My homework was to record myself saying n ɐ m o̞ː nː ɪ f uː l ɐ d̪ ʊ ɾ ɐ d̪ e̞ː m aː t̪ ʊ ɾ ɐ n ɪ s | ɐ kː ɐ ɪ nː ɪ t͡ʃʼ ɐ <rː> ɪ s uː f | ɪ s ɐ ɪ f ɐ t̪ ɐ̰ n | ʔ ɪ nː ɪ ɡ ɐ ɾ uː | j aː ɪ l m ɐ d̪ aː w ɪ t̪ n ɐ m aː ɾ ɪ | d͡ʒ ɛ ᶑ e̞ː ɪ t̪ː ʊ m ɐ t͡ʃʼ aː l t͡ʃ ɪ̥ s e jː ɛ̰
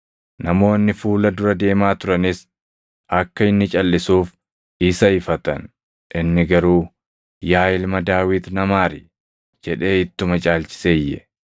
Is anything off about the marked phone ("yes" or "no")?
yes